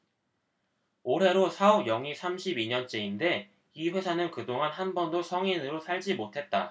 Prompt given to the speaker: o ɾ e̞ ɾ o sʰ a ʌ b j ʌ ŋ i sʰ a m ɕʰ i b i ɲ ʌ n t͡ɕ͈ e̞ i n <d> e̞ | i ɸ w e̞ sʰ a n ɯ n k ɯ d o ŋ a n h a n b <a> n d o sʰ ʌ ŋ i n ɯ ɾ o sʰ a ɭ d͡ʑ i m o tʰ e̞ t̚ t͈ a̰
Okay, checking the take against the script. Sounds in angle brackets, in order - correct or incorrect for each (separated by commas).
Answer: correct, incorrect